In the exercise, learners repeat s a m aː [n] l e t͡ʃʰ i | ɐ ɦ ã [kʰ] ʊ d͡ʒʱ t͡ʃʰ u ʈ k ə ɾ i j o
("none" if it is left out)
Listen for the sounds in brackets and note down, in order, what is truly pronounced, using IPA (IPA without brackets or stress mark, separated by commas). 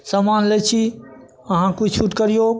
n, k